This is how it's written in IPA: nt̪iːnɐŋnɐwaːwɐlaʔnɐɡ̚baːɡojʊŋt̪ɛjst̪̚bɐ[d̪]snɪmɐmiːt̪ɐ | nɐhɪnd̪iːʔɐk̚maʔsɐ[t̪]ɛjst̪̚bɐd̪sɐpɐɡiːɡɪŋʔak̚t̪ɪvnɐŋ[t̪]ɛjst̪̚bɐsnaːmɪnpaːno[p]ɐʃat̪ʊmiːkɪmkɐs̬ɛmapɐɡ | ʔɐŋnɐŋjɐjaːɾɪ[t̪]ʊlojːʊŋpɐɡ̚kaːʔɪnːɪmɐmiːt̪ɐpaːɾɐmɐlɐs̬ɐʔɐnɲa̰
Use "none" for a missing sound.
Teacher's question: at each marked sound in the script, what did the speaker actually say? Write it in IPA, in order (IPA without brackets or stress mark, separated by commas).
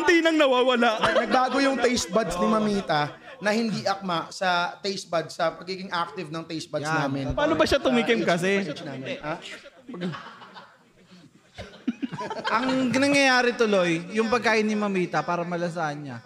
d̪, t̪, t̪, b, t̪